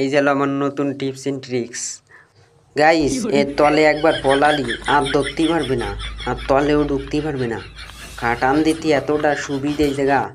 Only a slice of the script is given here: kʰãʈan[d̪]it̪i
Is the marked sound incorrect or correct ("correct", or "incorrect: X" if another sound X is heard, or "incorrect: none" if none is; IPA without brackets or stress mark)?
correct